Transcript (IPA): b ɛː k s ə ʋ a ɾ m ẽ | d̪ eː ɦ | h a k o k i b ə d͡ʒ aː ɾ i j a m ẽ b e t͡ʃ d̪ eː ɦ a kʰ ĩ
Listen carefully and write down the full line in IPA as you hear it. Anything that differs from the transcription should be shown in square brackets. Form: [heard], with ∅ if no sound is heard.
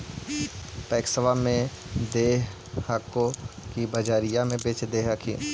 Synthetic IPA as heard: [p] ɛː k s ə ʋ a [∅] m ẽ | d̪ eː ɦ | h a k o k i b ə d͡ʒ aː ɾ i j a m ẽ b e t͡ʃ d̪ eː ɦ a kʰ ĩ